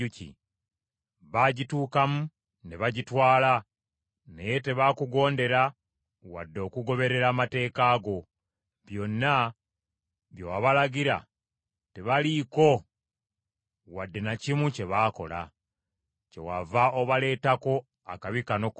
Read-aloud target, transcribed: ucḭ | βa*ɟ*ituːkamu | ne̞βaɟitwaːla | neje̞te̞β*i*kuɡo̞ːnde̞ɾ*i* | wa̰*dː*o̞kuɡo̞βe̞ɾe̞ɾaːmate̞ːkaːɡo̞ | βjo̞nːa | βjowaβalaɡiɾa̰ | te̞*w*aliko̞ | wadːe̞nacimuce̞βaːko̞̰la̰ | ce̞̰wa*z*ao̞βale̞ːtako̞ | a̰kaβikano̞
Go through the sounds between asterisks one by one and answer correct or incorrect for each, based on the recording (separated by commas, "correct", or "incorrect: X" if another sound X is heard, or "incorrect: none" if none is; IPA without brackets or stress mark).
correct, incorrect: a, incorrect: a, correct, incorrect: β, incorrect: v